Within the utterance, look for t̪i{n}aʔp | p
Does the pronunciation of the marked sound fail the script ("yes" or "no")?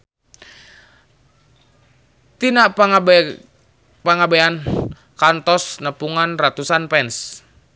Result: no